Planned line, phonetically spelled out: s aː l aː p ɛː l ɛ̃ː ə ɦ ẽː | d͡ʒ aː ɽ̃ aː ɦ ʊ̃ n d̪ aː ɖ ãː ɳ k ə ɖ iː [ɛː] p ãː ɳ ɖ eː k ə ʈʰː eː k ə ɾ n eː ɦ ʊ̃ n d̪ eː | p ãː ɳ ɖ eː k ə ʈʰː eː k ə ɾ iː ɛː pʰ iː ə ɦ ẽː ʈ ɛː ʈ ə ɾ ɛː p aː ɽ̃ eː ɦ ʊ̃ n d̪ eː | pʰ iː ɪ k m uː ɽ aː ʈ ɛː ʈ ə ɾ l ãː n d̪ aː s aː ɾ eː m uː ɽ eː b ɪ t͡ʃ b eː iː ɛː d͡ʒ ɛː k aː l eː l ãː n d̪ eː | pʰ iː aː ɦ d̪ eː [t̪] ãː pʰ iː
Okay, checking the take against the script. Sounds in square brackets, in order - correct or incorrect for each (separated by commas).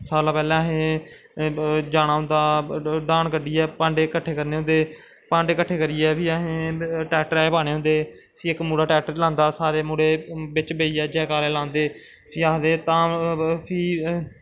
correct, correct